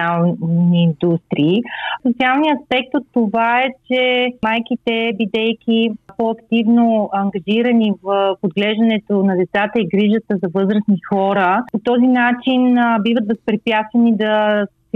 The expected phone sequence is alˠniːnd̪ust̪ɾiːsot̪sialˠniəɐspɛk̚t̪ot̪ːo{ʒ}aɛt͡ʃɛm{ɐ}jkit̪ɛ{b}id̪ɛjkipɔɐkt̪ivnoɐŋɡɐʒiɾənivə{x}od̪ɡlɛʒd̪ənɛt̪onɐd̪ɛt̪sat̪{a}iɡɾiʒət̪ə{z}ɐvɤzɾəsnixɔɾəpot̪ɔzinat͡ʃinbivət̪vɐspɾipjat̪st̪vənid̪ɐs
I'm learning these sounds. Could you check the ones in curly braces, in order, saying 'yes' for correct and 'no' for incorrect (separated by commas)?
no, no, yes, no, no, yes